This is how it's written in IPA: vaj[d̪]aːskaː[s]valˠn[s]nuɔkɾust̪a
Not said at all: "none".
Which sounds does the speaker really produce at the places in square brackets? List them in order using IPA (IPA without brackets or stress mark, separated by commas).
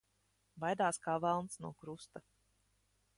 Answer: d̪, none, s